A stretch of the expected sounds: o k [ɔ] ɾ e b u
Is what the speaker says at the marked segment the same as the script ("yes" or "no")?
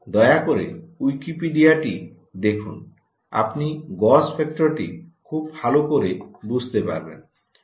no